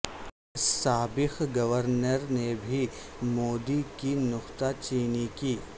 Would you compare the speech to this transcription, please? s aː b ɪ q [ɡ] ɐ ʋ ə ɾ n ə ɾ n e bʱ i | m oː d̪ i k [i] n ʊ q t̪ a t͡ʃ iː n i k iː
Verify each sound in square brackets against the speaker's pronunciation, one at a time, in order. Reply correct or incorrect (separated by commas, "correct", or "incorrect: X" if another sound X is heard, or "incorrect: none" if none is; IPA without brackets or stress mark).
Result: correct, correct